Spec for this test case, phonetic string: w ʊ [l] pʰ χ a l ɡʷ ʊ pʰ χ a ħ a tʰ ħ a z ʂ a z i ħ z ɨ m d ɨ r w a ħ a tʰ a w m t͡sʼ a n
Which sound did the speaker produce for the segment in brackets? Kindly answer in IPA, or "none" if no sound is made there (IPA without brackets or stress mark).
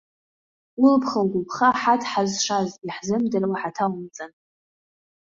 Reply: l